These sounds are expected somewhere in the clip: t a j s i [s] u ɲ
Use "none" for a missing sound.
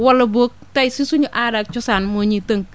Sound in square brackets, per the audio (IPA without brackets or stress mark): s